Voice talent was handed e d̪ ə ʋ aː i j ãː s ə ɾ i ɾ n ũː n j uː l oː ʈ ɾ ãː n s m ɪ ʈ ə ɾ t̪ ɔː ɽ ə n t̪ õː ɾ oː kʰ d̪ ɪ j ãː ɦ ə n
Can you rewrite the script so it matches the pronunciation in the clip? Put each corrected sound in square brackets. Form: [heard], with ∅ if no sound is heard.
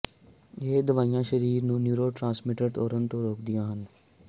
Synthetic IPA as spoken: e d̪ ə ʋ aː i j ãː [ʃ] ə ɾ [iː] ɾ n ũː n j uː [ɾ] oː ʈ ɾ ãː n s m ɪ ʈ ə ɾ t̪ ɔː [ɾ] ə n t̪ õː ɾ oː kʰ d̪ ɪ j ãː ɦ ə n